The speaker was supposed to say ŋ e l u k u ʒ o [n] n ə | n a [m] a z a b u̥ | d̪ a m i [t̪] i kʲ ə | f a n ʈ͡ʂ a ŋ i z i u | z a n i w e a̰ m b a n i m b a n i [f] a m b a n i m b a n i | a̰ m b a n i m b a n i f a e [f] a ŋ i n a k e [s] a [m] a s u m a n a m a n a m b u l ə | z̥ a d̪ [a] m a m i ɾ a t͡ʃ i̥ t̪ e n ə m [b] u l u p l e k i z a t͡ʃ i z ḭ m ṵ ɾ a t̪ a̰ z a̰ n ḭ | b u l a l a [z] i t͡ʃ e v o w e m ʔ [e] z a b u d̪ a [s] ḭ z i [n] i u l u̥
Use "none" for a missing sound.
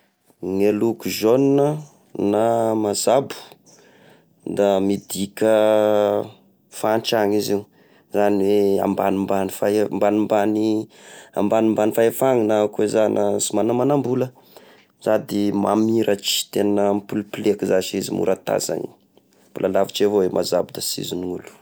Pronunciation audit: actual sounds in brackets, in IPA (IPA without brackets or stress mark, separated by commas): n, m, d̪, f, f, z, n, i, p, v, a, s, n